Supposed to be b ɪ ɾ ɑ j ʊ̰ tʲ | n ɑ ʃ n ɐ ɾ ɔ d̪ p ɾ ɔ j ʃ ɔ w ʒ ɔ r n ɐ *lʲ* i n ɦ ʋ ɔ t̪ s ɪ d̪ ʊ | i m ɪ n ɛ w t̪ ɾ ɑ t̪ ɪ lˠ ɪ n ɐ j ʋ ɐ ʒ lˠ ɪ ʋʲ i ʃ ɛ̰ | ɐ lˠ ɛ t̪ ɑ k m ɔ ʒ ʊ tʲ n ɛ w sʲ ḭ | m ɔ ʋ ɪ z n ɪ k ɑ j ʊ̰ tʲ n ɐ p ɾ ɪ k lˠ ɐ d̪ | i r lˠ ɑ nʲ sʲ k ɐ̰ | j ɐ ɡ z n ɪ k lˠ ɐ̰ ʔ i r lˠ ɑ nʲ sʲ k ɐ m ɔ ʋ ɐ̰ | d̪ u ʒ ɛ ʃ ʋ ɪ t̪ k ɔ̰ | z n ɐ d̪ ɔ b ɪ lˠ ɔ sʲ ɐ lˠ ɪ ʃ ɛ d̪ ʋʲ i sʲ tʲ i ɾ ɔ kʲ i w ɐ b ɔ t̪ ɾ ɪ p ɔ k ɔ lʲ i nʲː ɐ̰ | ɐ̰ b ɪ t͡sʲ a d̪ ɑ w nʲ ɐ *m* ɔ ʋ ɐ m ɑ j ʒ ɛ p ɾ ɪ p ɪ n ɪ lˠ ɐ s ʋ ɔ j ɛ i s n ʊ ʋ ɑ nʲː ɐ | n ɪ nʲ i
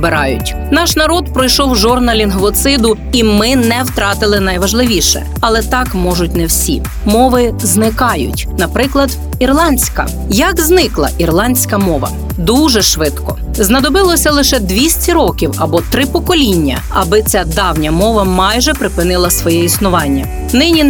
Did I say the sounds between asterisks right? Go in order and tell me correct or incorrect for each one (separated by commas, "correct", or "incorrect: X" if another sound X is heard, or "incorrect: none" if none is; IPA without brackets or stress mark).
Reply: correct, correct